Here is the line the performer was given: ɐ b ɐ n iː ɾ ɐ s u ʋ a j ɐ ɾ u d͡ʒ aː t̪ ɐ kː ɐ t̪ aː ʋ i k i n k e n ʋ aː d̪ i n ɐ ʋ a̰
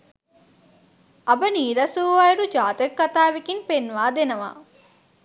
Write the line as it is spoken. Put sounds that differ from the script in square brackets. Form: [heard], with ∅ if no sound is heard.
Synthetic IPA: ɐ b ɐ n iː ɾ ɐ s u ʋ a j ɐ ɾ u d͡ʒ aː t̪ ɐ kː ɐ t̪ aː ʋ i k i n [p] e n ʋ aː d̪ [e] n ɐ ʋ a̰